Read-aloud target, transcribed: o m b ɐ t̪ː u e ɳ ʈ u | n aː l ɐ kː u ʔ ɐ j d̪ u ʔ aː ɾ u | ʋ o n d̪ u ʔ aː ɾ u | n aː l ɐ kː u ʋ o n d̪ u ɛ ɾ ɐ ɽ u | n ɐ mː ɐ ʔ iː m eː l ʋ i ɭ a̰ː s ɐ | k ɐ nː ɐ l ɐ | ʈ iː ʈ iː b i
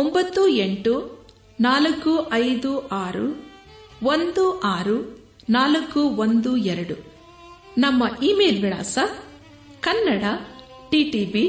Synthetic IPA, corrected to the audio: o m b ɐ t̪ː u e ɳ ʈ u | n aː l ɐ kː u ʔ ɐ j d̪ u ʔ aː ɾ u | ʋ o n d̪ u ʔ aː ɾ u | n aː l ɐ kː u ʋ o n d̪ u ɛ ɾ ɐ ɽ u | n ɐ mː ɐ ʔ iː m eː l ʋ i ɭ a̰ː s ɐ | k ɐ nː ɐ ɽ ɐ | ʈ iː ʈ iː b i